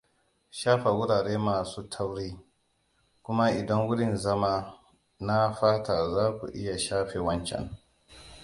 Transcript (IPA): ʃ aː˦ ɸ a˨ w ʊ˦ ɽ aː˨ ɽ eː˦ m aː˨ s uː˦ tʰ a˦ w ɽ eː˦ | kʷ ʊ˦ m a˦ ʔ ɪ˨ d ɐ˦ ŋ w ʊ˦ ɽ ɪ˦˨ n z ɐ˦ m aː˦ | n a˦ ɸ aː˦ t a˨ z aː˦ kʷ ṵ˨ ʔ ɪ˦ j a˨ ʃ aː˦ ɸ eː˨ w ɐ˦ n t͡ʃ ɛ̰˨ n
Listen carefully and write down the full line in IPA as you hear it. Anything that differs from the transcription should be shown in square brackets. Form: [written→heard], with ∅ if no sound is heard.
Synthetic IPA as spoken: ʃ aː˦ ɸ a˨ w ʊ˦ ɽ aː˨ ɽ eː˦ m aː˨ s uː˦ tʰ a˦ w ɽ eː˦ | kʷ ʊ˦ m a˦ ʔ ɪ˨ d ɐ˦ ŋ w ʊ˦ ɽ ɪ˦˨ n z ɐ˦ m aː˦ | n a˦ ɸ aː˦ t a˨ z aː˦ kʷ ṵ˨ ʔ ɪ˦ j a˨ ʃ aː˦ ɸ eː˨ w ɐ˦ n t͡ʃ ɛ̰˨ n